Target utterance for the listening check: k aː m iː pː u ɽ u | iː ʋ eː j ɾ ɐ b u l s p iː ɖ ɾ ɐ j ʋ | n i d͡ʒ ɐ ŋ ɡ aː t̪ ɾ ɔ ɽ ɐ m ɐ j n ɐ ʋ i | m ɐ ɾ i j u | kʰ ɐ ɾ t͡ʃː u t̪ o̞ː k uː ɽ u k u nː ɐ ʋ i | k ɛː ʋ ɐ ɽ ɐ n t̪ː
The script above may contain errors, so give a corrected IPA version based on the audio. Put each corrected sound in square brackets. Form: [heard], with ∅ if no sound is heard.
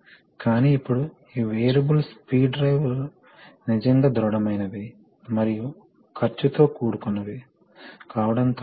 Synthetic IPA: k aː [n] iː pː u ɽ u | iː ʋ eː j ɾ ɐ b u l s p iː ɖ ɾ ɐ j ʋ | n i d͡ʒ ɐ ŋ ɡ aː [d̪] ɾ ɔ ɽ ɐ m ɐ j n ɐ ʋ i | m ɐ ɾ i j u | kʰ ɐ ɾ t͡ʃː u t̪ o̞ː k uː ɽ u k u nː ɐ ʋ i | k [aː] ʋ ɐ ɽ ɐ n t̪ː